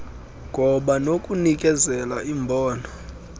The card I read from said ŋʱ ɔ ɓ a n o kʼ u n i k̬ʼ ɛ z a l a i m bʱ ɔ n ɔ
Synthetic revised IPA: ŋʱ ɔ ɓ a n o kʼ u n i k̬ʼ ɛ z ɛ l a i m bʱ ɔː n ɔ